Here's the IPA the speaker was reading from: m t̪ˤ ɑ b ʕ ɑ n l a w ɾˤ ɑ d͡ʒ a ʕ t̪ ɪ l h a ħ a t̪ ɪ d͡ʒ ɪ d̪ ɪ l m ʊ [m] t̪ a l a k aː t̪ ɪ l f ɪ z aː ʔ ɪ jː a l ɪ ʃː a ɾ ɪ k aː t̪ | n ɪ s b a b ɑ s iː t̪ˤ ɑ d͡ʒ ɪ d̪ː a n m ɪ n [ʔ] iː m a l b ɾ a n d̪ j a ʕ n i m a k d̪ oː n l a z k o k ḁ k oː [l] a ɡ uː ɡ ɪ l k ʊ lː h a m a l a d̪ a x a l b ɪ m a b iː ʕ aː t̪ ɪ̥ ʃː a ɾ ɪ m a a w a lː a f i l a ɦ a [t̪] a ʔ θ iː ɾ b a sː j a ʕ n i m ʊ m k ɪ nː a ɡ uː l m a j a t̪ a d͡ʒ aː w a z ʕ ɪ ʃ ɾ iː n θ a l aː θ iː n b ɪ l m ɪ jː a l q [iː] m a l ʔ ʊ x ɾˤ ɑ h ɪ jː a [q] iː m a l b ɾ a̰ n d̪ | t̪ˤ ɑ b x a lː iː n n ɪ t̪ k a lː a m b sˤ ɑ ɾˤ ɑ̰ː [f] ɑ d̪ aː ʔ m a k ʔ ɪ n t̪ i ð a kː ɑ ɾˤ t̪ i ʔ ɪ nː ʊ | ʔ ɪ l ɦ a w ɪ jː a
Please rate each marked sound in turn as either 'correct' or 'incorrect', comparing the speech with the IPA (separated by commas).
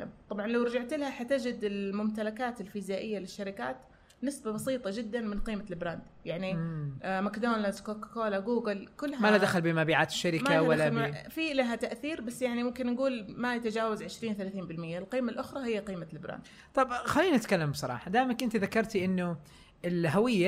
correct, incorrect, correct, correct, correct, correct, incorrect